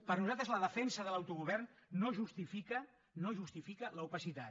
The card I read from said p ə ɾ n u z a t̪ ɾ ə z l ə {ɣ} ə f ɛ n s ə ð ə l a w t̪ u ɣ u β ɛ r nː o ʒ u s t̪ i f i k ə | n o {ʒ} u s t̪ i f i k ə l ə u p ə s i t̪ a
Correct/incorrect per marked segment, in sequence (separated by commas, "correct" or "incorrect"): incorrect, correct